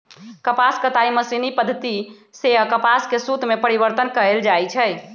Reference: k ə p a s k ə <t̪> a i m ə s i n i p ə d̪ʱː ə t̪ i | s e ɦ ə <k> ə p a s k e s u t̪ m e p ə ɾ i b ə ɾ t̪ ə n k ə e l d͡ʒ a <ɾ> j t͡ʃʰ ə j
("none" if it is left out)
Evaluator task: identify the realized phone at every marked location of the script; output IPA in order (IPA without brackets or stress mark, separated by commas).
t̪, k, none